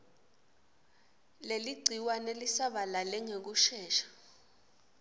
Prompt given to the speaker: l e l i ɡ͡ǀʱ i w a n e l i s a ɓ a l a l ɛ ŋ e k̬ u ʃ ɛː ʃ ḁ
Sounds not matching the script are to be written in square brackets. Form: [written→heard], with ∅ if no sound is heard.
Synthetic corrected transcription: l e l i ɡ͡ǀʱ i w a n e l i s a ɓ a l a l ɛ ŋ e k̬ u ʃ ɛː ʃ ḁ